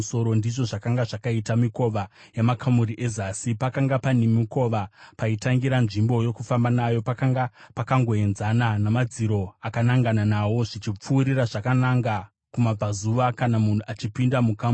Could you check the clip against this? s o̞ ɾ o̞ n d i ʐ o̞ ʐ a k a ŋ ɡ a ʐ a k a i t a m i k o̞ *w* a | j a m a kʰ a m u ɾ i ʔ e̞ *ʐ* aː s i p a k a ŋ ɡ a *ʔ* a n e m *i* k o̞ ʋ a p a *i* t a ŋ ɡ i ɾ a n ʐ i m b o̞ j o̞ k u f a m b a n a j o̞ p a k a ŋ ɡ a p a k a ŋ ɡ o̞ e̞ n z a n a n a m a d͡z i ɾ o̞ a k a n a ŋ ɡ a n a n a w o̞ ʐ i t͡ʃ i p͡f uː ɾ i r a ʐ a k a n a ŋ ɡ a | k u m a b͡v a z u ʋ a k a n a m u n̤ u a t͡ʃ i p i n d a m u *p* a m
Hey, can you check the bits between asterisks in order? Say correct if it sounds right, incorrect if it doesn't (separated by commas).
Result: incorrect, incorrect, incorrect, correct, correct, incorrect